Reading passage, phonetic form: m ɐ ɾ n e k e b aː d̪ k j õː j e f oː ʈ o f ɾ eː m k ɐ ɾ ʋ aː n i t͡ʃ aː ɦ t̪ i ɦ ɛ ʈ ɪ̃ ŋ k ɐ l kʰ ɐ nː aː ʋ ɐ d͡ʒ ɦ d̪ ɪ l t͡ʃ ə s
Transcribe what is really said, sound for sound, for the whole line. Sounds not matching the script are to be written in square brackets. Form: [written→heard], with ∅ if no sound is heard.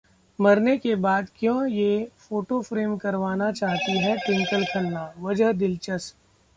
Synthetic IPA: m ɐ ɾ n e k e b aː d̪ k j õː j e f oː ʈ o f ɾ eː m k ɐ ɾ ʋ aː n [i→a] t͡ʃ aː ɦ t̪ i ɦ ɛ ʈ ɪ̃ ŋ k [ɐ→ə] l kʰ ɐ nː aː ʋ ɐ d͡ʒ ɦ d̪ ɪ l t͡ʃ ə s